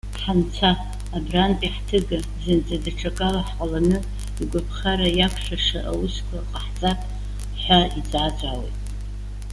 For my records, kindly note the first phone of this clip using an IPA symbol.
ħ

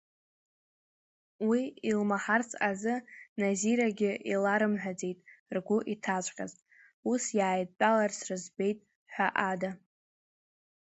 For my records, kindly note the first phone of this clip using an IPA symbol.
w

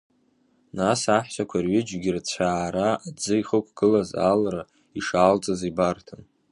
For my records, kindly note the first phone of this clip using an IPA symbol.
n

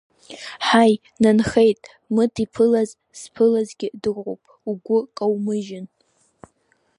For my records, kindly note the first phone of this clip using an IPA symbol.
ħ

